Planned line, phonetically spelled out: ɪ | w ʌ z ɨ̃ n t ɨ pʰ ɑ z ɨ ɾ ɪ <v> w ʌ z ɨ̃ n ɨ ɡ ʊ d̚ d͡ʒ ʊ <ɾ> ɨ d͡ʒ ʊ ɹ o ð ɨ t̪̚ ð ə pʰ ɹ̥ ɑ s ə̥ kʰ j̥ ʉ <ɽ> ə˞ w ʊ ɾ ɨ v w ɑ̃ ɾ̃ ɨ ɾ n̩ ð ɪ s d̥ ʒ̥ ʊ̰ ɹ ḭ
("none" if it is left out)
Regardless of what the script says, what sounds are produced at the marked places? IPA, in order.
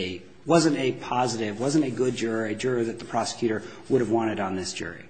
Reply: v, ɹ, ɾ

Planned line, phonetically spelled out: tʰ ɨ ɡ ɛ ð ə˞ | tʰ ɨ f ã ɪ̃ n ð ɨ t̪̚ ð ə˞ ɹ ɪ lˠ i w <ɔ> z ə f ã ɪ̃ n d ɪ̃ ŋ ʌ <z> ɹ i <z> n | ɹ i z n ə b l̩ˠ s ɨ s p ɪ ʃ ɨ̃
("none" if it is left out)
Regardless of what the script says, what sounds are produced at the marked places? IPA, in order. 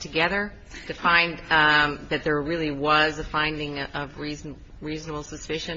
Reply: ʌ, v, z

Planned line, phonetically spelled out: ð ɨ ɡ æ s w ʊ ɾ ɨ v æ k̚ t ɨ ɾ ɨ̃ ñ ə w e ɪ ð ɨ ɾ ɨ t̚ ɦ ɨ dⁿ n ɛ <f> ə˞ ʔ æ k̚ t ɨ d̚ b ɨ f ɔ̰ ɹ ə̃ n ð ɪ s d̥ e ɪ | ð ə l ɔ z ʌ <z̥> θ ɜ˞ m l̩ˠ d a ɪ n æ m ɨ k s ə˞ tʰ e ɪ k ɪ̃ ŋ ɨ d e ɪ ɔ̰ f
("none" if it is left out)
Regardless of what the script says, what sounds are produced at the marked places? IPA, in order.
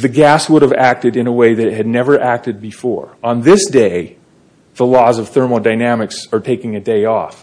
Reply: v, v̥

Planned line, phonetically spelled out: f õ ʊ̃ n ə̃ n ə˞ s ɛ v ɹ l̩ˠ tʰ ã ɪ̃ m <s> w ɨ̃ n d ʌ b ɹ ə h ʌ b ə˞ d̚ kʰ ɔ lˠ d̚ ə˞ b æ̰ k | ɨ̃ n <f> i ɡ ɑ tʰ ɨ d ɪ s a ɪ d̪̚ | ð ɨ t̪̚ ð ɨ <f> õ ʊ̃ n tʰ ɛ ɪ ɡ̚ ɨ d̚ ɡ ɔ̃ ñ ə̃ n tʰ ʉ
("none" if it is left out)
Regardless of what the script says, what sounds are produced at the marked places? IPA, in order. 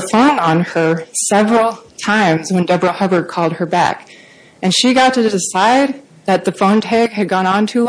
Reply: z, ʃ, f

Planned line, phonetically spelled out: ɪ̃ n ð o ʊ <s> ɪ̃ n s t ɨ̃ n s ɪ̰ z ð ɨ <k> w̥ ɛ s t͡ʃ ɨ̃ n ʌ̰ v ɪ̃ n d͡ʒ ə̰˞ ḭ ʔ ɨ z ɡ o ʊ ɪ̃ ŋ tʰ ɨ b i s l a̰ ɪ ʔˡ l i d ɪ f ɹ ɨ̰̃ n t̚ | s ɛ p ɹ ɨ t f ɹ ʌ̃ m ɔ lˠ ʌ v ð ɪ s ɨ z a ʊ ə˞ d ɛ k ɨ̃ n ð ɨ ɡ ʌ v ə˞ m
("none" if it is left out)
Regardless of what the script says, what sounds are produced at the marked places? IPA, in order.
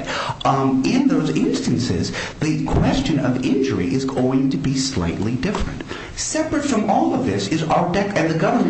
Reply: z, kʰ

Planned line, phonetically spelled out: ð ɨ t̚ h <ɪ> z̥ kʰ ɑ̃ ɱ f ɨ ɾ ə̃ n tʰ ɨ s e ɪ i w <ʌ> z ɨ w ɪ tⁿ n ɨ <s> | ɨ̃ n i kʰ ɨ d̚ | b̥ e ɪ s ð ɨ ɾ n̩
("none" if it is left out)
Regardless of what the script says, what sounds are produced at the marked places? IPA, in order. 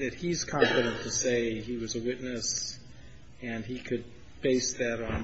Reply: i, ʌ, s

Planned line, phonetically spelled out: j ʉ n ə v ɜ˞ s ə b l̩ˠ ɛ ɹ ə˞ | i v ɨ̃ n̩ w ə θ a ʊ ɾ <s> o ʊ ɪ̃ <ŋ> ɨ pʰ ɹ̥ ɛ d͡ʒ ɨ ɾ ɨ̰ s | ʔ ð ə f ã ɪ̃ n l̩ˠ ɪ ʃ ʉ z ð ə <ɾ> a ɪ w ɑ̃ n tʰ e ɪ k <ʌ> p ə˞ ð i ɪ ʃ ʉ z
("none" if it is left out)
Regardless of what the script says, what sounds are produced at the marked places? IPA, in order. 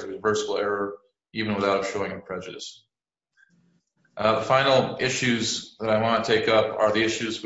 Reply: ʃ, ŋ, ɾ, ʌ

